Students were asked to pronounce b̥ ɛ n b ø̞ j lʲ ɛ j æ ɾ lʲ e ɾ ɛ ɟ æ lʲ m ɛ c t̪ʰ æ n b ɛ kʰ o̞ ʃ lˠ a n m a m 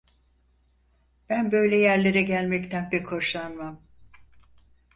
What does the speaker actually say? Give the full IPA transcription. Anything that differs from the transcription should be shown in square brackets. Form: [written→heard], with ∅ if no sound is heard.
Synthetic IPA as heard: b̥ [ɛ→æ] n b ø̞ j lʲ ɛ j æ ɾ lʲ e ɾ ɛ ɟ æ lʲ m ɛ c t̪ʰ æ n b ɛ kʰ o̞ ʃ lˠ a n m a m